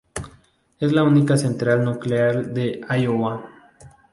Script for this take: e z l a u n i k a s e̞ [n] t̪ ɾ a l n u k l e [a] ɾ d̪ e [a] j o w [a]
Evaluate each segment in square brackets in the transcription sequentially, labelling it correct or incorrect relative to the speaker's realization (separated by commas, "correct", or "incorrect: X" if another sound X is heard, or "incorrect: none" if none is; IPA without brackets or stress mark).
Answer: correct, correct, correct, correct